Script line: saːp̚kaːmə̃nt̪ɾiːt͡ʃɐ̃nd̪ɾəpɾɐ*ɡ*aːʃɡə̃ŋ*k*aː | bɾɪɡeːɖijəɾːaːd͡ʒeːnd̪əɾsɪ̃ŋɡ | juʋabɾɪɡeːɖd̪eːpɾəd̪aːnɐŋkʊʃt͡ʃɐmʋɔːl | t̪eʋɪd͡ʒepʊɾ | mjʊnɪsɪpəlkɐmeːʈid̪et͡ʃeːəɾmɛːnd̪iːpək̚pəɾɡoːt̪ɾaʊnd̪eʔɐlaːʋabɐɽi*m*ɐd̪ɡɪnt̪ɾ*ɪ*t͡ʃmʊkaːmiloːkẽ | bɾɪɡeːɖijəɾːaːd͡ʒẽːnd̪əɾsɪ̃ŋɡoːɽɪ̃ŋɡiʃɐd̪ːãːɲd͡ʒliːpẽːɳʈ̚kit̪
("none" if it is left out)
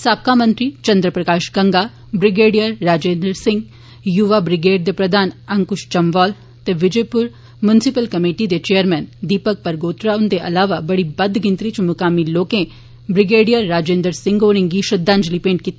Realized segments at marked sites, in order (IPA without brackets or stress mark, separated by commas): k, ɡ, b, i